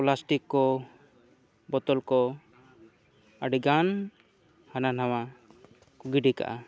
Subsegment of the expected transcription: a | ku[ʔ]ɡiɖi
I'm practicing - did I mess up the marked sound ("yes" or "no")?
yes